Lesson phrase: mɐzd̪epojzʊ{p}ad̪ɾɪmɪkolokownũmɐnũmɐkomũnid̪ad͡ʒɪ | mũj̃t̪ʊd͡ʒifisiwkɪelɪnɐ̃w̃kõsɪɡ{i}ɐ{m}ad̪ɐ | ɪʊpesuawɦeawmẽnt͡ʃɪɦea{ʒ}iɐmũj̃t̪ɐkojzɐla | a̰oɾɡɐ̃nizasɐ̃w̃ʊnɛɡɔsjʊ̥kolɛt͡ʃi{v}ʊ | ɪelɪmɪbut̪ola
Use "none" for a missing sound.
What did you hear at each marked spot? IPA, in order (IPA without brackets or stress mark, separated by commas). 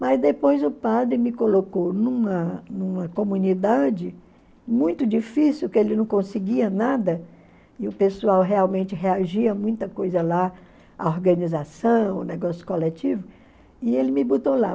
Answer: p, i, n, ʒ, v